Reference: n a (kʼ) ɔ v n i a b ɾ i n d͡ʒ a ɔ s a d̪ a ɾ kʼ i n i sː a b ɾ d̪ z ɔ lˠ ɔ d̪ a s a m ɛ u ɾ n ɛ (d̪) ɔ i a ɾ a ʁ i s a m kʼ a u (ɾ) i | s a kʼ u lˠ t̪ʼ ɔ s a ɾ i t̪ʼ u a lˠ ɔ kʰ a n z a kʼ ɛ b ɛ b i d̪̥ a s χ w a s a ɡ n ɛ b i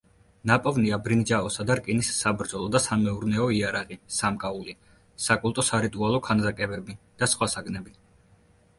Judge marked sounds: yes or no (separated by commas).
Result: no, no, no